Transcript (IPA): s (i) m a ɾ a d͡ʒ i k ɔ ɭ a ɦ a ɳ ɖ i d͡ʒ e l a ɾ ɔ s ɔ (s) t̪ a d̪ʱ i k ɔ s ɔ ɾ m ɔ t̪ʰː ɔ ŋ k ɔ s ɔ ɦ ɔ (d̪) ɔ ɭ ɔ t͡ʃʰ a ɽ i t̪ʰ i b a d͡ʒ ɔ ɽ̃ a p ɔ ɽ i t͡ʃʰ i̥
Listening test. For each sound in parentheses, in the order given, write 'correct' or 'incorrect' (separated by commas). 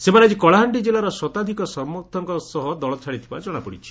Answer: incorrect, incorrect, correct